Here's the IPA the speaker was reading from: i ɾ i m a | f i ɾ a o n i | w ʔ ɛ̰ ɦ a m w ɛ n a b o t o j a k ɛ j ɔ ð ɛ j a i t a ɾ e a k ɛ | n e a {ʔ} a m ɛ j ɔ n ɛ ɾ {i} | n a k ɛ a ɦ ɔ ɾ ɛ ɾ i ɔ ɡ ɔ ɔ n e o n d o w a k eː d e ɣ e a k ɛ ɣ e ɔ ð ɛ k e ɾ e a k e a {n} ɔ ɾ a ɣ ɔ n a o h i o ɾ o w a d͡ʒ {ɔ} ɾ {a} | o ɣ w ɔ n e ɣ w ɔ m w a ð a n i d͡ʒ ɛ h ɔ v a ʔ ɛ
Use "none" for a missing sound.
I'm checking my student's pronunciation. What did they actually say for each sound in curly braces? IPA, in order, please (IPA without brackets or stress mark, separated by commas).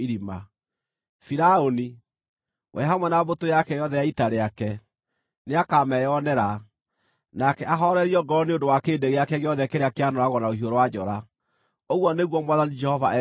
k, a, n, ɔ, a